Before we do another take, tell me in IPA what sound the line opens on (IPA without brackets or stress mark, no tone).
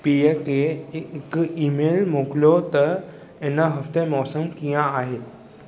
p